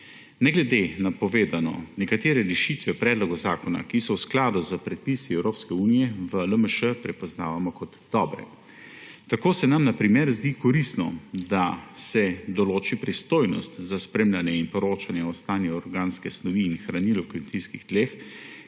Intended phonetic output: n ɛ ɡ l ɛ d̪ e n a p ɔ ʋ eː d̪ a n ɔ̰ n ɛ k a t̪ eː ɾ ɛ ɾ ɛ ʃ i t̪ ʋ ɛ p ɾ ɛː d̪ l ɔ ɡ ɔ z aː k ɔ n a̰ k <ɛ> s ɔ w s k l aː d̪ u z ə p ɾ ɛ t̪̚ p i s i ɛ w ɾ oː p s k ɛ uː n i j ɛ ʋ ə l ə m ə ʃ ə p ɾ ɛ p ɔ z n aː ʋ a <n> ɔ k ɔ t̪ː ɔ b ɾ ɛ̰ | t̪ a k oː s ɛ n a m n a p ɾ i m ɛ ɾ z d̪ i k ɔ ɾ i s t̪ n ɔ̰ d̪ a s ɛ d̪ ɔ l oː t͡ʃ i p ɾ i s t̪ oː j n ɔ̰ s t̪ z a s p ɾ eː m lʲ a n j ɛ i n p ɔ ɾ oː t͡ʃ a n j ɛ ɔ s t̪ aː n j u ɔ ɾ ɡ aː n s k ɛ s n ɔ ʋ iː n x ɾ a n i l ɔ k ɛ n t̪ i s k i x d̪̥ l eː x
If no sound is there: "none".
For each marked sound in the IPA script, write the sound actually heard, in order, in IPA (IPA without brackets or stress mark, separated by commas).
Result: i, m